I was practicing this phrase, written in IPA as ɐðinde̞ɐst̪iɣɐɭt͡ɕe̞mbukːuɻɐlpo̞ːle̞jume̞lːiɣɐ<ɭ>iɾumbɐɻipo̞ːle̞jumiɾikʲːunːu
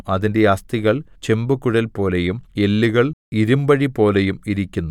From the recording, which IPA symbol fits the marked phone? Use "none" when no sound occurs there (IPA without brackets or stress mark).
ɭ